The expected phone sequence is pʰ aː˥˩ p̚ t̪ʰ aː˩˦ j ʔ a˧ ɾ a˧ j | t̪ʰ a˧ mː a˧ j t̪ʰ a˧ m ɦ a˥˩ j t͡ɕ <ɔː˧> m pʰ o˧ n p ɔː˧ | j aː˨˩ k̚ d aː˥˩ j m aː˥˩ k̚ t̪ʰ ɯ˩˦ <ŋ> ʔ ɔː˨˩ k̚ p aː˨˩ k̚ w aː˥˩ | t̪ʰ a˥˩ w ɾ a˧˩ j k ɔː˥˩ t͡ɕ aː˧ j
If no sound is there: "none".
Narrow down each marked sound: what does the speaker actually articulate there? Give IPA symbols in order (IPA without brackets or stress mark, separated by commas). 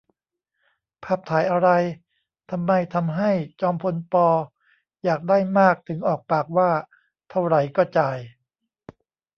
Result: ɔː˧, ŋ